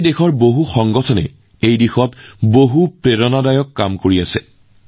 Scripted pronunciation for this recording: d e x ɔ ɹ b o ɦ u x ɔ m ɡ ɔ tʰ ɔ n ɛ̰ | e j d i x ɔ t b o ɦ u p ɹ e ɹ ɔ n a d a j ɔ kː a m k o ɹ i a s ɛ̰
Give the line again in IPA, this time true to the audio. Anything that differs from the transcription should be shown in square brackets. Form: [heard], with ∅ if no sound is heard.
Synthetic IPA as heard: d e x ɔ ɹ b o ɦ u x ɔ [ŋ] ɡ ɔ tʰ ɔ n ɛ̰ | e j d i x ɔ t b o ɦ u p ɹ e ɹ ɔ n a d a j ɔ kː a m k o ɹ i a s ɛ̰